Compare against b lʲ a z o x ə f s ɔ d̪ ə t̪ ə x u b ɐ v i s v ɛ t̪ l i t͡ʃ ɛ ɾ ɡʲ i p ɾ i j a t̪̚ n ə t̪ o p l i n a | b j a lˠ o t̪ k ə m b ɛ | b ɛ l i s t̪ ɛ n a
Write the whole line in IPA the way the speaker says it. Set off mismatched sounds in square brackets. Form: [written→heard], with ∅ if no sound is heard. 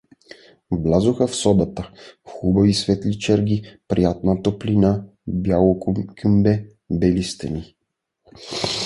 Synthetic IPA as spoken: b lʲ a z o x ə f s ɔ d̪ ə t̪ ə x u b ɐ v i s v ɛ t̪ l i t͡ʃ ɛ ɾ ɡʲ i p ɾ i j a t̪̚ n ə t̪ o p l i n a | b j a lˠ o [t̪→∅] k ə m b ɛ | b ɛ l i s t̪ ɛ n [a→i]